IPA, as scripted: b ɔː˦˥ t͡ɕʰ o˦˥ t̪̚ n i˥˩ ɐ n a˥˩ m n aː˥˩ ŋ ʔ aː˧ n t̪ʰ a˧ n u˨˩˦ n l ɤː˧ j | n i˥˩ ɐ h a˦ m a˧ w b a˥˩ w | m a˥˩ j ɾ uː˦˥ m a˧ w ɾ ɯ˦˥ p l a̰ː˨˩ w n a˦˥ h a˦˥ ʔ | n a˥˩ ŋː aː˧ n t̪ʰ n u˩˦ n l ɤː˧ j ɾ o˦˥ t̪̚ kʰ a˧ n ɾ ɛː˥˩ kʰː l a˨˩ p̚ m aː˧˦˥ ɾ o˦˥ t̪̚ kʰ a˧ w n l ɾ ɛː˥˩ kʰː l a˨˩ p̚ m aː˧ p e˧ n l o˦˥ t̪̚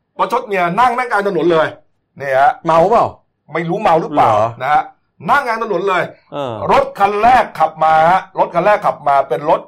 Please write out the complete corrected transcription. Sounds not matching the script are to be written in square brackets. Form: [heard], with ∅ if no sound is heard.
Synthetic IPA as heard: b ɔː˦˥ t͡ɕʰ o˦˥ t̪̚ n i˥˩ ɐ n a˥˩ [ŋ] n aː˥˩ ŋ [k] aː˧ n t̪ʰ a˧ n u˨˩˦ n l ɤː˧ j | n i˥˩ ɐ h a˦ m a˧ w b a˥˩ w | m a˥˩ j ɾ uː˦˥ m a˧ w ɾ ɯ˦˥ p l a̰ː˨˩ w n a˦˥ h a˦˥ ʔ | n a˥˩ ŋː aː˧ n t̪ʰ n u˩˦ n l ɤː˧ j ɾ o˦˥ t̪̚ kʰ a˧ n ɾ ɛː˥˩ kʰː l a˨˩ p̚ m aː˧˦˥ ɾ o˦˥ t̪̚ kʰ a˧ [∅] n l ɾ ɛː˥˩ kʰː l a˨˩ p̚ m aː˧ p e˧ n [ɾ] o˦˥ t̪̚